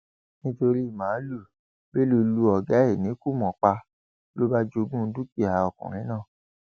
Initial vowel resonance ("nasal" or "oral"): nasal